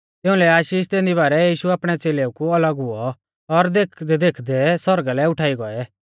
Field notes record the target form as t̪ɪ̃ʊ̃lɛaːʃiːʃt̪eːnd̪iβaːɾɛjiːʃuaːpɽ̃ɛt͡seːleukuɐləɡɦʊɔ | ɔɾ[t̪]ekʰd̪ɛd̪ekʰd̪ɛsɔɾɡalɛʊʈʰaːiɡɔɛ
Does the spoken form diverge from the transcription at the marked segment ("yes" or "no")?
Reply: yes